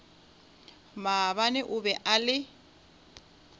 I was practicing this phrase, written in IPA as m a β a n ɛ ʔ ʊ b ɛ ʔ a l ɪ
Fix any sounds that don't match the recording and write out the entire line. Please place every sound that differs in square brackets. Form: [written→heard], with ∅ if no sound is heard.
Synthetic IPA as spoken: m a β a n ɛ ʔ ʊ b ɛ ʔ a l ɪ